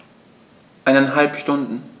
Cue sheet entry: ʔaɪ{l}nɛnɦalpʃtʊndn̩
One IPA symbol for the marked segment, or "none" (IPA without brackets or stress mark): none